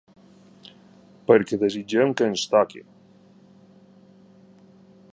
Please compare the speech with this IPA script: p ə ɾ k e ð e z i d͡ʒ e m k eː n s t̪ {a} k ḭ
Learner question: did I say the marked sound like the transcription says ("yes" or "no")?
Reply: yes